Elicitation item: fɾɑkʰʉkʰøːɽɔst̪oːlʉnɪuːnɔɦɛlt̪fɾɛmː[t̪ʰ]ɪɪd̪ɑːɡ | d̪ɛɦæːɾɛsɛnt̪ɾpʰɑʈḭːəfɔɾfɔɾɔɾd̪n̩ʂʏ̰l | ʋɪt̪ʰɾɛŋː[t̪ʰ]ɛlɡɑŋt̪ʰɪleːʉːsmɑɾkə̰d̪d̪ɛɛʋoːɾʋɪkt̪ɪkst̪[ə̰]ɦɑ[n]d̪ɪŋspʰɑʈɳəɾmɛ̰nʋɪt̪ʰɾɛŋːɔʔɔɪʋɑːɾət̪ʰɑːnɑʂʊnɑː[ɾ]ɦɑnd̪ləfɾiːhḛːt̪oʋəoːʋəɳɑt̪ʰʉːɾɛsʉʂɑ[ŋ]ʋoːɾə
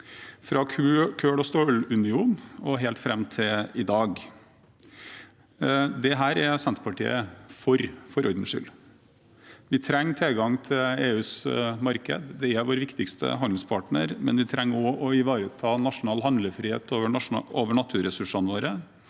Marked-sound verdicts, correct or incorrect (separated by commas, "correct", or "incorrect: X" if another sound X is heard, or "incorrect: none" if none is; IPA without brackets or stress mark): correct, correct, correct, correct, incorrect: l, incorrect: n